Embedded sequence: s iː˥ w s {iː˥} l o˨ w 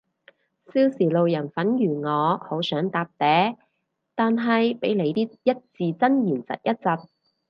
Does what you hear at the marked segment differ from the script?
yes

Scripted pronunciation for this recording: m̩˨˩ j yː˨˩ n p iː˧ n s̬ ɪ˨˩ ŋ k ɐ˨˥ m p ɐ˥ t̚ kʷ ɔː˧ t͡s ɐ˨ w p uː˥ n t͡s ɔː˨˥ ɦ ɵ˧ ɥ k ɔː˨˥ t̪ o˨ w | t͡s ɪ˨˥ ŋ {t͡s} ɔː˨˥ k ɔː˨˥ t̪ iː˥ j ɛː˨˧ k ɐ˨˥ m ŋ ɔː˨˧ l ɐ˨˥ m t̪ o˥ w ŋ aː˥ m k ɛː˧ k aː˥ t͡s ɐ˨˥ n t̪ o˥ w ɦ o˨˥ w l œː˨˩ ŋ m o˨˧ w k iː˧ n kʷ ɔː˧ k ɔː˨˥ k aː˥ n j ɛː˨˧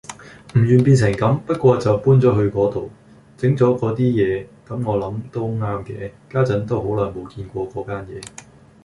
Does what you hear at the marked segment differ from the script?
no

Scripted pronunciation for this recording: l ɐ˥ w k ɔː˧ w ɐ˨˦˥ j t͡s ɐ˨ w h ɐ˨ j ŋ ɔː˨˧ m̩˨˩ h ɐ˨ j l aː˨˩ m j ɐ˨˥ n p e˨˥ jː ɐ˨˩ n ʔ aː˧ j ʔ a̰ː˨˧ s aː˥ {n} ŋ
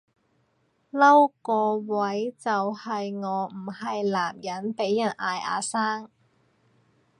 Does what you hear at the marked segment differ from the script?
yes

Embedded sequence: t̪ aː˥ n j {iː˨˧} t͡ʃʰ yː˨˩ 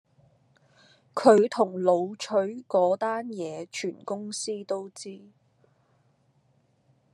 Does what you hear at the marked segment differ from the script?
yes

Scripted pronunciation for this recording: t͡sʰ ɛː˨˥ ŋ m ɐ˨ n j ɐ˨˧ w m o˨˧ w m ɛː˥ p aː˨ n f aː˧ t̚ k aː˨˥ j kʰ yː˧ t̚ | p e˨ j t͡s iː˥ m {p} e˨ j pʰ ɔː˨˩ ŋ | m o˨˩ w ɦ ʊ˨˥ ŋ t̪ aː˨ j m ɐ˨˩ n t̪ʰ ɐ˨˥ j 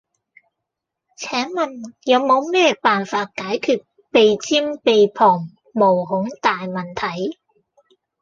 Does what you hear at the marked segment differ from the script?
no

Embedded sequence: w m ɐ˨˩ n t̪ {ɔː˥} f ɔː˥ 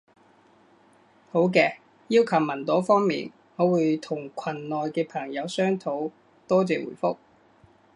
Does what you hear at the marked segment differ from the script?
yes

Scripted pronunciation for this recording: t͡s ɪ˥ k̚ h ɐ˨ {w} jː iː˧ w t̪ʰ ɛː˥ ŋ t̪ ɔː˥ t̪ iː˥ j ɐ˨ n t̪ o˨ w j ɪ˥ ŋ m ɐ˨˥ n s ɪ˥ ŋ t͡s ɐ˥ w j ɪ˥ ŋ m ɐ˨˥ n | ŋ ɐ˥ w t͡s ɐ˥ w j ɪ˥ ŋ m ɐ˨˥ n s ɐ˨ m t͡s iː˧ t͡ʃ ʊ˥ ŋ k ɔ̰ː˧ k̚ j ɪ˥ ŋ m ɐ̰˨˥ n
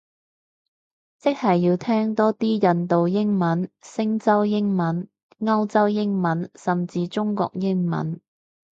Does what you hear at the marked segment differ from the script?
yes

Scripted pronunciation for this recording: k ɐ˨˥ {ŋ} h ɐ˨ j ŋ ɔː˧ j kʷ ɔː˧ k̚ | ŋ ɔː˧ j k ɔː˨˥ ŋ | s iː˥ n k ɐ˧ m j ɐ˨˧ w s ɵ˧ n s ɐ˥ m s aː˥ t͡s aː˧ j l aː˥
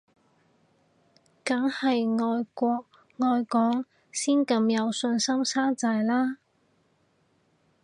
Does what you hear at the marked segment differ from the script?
no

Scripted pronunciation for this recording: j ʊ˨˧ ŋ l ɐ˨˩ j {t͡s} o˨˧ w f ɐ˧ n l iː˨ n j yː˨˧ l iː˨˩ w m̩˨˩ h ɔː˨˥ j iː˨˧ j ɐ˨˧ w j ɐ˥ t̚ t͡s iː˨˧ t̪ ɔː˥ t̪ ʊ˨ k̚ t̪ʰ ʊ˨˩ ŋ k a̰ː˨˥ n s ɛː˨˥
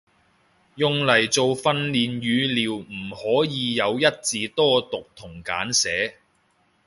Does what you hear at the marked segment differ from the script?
no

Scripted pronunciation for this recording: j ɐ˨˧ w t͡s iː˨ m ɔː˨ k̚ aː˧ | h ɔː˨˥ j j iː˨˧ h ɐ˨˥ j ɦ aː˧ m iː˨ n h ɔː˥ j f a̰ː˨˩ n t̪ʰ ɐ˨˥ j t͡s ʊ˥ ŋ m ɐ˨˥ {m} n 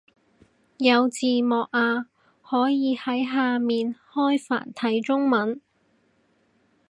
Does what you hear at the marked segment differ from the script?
yes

